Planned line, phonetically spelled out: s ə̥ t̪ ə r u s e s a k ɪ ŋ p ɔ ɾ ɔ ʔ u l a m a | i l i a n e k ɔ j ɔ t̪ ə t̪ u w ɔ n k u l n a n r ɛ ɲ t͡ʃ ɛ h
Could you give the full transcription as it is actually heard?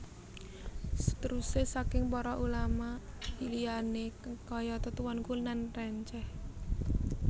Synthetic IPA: s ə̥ t̪ ə ɾ u s e s a k ɪ ŋ p ɔ ɾ ɔ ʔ u l a m a | i l i a n e k ɔ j ɔ t̪ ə t̪ u w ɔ n k u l n a n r ɛ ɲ t͡ʃ ɛ h